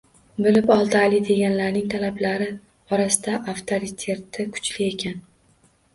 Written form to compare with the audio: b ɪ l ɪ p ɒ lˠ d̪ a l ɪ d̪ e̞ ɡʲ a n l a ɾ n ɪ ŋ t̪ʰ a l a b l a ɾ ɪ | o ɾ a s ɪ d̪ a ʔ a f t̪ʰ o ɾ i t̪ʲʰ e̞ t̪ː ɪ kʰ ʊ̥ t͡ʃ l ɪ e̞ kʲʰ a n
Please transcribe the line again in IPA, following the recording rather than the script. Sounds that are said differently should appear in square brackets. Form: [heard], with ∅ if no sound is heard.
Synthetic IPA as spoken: b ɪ l ɪ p ɒ lˠ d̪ a l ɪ d̪ e̞ ɡʲ a n l a ɾ n ɪ ŋ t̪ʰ a l a b l a ɾ ɪ | [ɒ] ɾ a s ɪ d̪ a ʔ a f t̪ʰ o ɾ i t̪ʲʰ e̞ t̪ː ɪ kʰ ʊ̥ t͡ʃ l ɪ e̞ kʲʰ a n